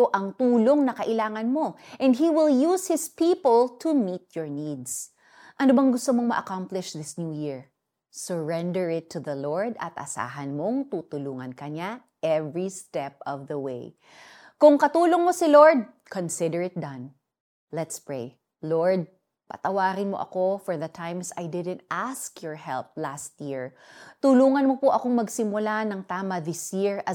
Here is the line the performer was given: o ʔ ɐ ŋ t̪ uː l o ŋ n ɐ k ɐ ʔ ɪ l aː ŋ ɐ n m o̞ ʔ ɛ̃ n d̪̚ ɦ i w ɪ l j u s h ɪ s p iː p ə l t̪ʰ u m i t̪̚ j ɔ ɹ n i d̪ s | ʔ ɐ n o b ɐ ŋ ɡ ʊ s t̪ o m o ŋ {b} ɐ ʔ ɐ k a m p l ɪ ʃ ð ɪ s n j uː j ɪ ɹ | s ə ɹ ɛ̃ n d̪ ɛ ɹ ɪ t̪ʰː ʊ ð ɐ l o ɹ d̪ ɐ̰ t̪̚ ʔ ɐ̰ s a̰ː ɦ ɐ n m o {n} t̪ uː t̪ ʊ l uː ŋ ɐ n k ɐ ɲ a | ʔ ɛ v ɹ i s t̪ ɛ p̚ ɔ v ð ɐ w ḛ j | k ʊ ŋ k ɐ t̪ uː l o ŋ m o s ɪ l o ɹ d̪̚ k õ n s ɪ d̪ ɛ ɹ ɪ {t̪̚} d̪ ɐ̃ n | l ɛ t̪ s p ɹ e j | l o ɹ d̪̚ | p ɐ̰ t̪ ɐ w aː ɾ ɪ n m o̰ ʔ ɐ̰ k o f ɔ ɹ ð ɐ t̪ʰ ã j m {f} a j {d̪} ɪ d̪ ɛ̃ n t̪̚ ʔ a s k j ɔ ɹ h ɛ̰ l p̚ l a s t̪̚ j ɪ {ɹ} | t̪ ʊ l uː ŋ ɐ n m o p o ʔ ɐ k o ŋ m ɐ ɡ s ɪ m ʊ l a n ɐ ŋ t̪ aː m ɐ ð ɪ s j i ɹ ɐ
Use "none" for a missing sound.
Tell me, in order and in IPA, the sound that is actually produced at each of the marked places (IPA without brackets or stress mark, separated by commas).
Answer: m, ŋ, t̪̚, s, d̪, ɹ